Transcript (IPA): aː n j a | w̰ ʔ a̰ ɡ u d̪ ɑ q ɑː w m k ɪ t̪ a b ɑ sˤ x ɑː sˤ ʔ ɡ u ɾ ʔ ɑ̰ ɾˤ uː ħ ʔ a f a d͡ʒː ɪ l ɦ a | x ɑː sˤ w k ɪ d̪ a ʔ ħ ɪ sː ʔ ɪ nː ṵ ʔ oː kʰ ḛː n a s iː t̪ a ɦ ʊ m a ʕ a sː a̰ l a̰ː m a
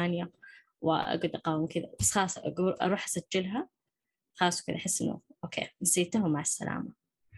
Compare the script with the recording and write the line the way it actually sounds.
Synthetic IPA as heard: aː n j a | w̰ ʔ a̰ ɡ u d̪ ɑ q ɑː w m k ɪ d̪ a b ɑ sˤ x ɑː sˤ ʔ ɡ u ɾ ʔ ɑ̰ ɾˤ uː ħ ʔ a s a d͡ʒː ɪ l ɦ a | x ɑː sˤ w k ɪ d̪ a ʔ ħ ɪ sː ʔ ɪ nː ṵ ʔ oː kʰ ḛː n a s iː t̪ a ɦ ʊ m a ʕ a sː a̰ l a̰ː m a